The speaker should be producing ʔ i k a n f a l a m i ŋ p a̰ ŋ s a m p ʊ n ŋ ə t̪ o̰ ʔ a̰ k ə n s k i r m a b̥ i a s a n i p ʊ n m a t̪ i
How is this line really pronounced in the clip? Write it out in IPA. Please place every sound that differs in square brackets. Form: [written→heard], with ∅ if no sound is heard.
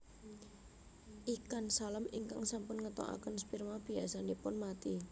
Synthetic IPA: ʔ i k a n [f→s] a l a m i ŋ [p→k] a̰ ŋ s a m p ʊ n ŋ ə t̪ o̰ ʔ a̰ k ə n s [k→p] i r m a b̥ i a s a n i p ʊ n m a t̪ i